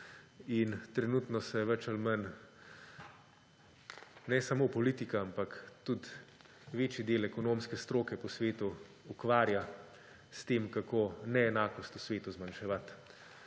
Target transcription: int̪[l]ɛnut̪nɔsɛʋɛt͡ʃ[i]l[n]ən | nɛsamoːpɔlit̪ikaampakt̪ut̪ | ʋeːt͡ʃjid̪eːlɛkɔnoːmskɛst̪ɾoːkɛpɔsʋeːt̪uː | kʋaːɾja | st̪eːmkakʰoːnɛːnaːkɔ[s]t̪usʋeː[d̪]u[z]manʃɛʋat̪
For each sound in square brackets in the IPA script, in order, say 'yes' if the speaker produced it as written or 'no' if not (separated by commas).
no, no, no, yes, no, yes